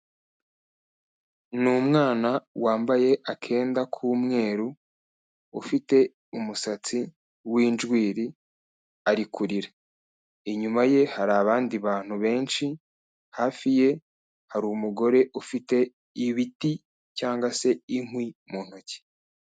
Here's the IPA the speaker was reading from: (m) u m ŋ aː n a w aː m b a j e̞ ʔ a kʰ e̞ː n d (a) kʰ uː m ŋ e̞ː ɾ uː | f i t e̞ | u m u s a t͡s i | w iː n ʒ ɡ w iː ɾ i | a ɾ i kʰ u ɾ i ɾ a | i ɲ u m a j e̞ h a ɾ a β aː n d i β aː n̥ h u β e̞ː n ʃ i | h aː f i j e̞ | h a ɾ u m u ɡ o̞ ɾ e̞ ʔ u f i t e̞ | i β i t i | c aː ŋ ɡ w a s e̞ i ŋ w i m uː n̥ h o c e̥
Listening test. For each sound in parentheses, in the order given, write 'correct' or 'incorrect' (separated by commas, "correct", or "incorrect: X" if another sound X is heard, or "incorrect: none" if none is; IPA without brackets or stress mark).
incorrect: n, correct